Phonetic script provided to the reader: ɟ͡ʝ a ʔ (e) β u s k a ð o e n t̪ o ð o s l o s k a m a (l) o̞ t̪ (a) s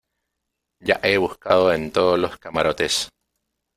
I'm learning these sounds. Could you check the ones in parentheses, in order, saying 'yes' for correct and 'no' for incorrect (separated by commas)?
yes, no, no